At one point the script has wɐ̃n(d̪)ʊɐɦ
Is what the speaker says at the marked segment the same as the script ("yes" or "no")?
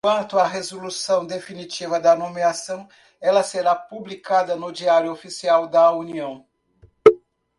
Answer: no